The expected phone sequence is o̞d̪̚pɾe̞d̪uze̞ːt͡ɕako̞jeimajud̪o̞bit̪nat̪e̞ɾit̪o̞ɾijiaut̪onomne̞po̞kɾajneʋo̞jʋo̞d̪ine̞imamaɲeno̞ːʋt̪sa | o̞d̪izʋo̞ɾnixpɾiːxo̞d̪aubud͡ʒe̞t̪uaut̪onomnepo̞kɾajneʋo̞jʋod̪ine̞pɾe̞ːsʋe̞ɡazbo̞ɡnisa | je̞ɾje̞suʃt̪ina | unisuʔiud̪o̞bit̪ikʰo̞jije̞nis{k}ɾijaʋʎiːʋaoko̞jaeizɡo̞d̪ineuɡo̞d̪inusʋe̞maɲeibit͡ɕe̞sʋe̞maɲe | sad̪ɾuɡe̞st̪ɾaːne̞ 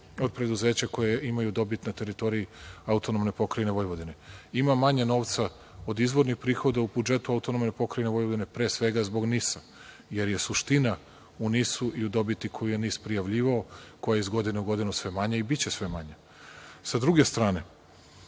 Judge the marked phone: incorrect: p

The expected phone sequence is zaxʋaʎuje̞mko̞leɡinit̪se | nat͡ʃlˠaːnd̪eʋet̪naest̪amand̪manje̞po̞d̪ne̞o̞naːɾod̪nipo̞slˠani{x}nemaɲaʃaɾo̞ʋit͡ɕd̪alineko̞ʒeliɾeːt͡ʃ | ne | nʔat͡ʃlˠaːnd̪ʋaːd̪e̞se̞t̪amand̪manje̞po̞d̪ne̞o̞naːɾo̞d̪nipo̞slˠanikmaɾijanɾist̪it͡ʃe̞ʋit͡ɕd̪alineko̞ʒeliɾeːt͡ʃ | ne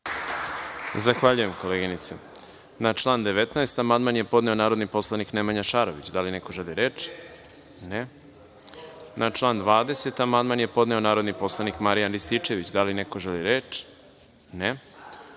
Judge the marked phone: incorrect: k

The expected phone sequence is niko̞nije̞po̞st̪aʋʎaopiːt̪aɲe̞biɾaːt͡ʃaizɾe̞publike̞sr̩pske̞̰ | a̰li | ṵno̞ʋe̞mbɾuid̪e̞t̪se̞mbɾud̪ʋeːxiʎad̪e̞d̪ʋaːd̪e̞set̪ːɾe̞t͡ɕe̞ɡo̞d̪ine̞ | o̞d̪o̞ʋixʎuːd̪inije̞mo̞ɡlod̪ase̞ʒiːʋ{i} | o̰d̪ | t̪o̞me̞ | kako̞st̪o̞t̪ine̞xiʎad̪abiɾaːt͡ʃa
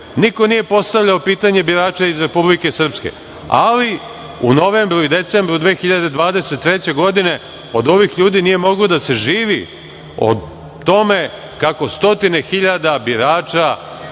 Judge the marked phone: correct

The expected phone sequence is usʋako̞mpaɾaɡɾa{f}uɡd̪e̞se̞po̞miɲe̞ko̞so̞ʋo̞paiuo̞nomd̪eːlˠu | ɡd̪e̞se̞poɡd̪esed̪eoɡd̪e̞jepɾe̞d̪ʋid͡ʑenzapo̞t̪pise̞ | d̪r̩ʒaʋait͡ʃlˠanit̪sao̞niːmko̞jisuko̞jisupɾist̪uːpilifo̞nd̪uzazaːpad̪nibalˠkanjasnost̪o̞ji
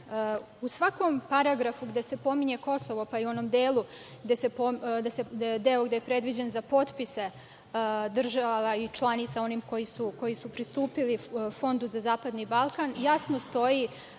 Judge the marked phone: correct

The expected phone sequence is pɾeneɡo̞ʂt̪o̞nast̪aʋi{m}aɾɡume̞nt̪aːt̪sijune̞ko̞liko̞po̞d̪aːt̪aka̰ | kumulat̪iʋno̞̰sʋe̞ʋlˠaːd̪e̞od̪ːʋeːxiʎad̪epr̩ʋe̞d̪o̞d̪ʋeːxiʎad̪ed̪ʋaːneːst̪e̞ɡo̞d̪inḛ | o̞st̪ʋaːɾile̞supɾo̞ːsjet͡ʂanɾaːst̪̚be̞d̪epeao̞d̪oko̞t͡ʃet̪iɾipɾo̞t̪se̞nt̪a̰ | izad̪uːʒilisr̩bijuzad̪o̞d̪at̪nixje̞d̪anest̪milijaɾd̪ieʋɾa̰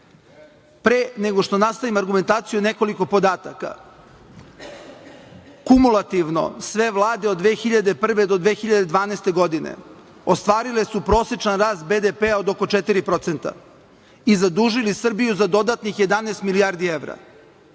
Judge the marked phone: correct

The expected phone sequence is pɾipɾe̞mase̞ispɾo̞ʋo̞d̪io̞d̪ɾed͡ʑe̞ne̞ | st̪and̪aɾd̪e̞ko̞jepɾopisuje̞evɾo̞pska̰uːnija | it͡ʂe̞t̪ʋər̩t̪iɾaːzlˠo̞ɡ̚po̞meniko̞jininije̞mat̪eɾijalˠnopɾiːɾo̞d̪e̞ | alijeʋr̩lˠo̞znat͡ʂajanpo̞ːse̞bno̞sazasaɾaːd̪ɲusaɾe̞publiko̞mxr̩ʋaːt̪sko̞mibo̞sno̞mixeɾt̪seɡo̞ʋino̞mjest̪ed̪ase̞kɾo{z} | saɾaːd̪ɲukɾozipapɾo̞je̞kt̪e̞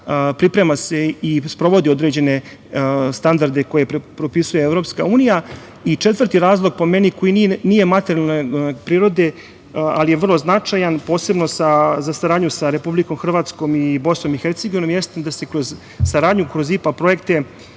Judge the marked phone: correct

